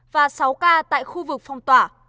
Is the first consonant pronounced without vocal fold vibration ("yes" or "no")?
no